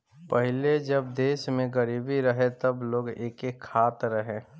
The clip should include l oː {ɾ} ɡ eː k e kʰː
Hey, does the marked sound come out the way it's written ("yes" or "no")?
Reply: no